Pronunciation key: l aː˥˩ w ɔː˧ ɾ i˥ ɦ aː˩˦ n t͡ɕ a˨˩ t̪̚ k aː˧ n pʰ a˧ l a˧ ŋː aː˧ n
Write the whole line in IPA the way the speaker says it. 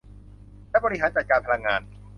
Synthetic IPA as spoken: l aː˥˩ b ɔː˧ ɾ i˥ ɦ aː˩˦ n t͡ɕ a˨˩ t̪̚ k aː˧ n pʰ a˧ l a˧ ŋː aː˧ n